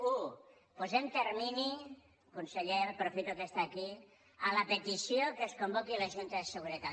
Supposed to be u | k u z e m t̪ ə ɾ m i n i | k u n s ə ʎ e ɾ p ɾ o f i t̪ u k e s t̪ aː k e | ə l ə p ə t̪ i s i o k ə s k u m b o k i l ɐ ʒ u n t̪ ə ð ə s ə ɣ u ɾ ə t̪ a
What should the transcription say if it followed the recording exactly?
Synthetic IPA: u | p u z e m t̪ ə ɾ m i n i | k u n s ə ʎ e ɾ p ɾ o f i t̪ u k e s t̪ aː k i | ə l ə p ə t̪ i s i o k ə s k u m b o k i l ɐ ʒ u n t̪ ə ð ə s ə ɣ u ɾ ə t̪ a